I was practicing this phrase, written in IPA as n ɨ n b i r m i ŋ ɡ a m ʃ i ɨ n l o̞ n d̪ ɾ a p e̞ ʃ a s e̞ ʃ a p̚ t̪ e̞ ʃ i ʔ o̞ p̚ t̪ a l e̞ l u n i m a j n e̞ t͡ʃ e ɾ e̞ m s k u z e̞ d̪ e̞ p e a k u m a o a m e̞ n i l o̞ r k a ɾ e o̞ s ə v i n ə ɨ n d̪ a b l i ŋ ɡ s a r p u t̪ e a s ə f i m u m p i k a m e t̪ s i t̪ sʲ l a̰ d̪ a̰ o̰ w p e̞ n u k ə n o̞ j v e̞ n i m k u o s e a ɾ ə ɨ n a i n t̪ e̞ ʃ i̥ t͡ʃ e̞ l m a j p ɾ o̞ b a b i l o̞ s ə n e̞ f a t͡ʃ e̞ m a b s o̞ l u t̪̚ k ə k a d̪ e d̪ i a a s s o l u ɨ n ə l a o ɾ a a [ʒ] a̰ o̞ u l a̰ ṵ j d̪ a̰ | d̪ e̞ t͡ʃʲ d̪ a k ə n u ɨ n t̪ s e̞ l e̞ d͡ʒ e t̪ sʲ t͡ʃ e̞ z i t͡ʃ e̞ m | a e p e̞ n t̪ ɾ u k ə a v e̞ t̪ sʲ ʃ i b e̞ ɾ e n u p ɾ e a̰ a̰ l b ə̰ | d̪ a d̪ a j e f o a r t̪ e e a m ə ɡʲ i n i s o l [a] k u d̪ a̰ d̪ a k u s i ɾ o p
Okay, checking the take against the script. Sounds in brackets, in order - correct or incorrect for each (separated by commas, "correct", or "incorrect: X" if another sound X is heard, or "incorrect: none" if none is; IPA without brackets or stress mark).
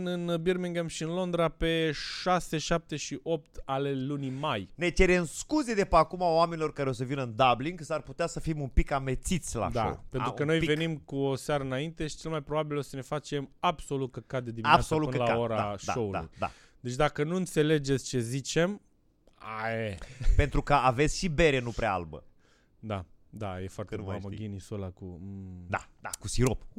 incorrect: ʃ, correct